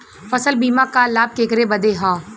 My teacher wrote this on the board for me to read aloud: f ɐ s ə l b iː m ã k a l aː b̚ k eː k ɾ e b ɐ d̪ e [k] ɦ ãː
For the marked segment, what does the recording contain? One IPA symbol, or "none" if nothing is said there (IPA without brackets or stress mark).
none